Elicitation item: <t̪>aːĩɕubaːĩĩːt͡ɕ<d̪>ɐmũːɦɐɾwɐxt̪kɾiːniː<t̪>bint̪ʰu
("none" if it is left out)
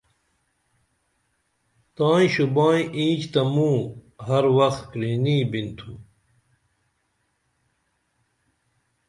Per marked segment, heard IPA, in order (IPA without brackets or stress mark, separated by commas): t̪, t̪, none